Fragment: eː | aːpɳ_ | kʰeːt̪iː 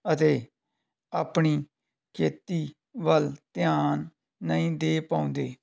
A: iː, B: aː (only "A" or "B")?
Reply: A